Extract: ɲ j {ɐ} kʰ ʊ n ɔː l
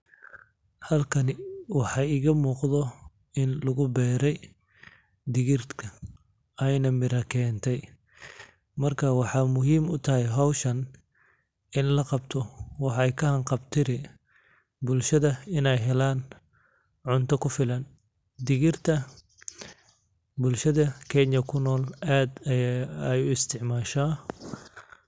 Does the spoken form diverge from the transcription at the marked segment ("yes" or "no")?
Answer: no